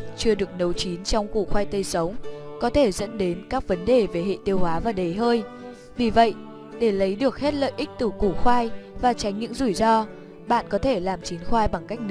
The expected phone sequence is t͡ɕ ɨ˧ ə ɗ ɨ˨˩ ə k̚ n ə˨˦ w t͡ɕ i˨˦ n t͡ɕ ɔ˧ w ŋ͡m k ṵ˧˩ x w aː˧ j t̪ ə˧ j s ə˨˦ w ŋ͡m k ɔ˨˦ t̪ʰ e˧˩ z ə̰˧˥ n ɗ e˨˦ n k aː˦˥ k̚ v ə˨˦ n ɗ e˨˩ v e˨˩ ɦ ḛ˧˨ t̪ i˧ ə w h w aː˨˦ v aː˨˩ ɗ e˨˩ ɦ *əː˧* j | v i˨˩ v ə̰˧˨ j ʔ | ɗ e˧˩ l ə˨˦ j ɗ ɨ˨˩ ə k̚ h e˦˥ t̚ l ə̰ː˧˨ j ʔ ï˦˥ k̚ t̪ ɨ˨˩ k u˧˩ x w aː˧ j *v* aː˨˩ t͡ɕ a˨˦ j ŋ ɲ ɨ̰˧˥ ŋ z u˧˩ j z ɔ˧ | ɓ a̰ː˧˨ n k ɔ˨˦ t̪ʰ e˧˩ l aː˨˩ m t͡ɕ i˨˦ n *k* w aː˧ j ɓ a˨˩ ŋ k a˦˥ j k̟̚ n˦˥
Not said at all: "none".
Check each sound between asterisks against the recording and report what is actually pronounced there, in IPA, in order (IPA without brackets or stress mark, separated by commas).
əː˧, v, x